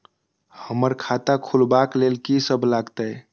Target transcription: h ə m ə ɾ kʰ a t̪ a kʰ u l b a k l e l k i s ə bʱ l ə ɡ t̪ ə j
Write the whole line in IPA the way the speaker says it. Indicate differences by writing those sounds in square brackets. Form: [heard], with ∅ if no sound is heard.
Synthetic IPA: h ə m ə ɾ kʰ a t̪ a kʰ u l b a k l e l k i s ə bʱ l [a] ɡ t̪ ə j